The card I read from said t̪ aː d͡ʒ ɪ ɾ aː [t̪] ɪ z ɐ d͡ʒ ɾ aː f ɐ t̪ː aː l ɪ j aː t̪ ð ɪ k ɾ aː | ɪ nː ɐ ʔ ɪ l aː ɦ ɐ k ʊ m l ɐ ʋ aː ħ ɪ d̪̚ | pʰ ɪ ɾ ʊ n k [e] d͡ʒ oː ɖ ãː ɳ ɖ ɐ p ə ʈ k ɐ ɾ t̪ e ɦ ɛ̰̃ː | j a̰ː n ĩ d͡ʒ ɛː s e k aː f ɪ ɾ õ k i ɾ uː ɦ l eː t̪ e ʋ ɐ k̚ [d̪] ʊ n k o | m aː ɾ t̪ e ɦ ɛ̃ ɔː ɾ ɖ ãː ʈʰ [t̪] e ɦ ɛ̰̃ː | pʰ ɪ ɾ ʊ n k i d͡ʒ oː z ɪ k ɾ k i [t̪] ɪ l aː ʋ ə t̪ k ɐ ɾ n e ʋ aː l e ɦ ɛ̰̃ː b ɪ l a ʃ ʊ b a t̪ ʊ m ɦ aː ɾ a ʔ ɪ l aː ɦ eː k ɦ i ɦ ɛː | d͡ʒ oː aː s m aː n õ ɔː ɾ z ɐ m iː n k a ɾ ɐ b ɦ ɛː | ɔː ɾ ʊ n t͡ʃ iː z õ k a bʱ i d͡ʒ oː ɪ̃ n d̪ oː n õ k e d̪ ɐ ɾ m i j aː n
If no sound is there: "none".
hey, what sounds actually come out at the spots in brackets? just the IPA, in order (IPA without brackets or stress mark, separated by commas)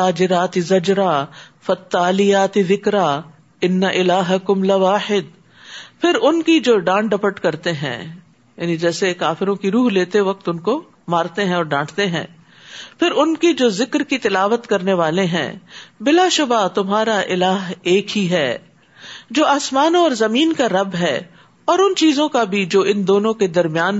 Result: t̪, i, t̪, t̪, t̪